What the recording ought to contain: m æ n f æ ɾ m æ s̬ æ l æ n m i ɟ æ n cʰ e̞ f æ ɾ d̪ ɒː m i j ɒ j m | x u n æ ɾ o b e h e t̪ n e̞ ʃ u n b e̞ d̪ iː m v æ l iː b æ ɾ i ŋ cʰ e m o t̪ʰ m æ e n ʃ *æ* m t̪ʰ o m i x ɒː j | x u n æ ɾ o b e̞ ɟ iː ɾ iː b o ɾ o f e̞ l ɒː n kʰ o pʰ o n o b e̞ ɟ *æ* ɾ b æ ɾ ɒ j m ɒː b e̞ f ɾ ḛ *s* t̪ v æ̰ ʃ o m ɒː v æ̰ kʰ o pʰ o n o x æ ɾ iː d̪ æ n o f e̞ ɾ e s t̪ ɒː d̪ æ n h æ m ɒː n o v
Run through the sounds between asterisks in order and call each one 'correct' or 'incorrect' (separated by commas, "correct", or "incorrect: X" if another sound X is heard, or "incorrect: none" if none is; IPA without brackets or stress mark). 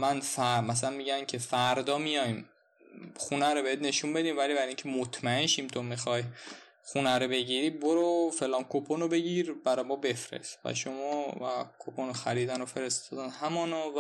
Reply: incorrect: i, incorrect: i, correct